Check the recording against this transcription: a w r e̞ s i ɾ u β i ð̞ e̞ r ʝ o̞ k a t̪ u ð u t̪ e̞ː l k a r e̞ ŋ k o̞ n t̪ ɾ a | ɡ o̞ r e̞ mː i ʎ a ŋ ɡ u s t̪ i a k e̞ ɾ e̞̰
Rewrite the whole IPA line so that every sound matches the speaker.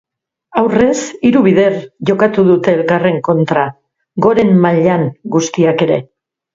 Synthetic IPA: a w r e̞ s i ɾ u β i ð̞ e̞ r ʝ o̞ k a t̪ u ð u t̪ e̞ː l k a r e̞ ŋ k o̞ n t̪ ɾ a | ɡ o̞ ɾ e̞ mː a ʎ a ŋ ɡ u s t̪ i a k e̞ ɾ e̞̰